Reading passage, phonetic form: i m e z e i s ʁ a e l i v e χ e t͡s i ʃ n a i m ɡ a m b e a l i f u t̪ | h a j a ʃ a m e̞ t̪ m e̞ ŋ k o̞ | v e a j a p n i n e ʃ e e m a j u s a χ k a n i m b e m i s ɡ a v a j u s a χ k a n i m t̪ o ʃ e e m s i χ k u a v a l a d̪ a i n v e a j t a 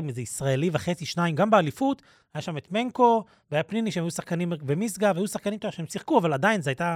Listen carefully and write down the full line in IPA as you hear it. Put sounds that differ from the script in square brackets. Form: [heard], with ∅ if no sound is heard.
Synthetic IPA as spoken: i m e z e i s ʁ a e l i v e χ e t͡s i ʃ n a i m ɡ a m b e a l i f u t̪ | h a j a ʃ a m e̞ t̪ m e̞ ŋ k o̞ | v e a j a p n i n [i] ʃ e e m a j u s a χ k a n i m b e m i s ɡ a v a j u s a χ k a n i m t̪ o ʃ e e m s i χ k u a v a l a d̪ a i n [z] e a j t a